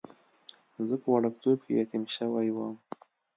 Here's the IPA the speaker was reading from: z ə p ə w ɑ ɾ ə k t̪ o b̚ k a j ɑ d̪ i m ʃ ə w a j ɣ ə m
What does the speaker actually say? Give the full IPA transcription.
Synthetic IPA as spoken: z ə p ə w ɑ ɽ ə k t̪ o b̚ k e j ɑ t̪ i m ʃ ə w a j w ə m